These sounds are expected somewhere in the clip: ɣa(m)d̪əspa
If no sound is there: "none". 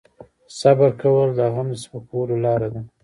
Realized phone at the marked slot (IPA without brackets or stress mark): m